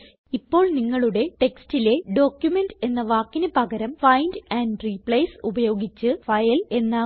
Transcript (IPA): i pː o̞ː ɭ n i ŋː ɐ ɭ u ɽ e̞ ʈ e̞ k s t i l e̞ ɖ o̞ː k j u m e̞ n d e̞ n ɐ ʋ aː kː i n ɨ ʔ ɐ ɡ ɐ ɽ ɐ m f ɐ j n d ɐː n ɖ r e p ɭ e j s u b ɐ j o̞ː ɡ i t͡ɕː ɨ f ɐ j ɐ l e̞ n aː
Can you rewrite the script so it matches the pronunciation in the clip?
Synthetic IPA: i pː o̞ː ɭ n i ŋː ɐ ɭ u ɽ e̞ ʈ e̞ k s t i l e̞ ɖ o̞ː k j u m e̞ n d e̞ nː ɐ ʋ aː kː i n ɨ p ɐ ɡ ɐ ɾ ɐ m f ɐ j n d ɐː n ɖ r i p ɭ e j s u b ɐ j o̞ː ɡ i t͡ɕː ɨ f ɐ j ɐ l e̞ nː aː